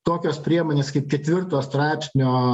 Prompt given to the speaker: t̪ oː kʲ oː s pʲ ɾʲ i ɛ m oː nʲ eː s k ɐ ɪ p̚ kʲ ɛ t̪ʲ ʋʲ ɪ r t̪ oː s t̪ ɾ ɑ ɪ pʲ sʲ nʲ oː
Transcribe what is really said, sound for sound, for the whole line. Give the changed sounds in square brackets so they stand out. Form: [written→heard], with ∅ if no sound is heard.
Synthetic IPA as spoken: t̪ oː kʲ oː s pʲ ɾʲ i ɛ m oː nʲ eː s k ɐ ɪ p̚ kʲ ɛ t̪ʲ ʋʲ ɪ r t̪ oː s t̪ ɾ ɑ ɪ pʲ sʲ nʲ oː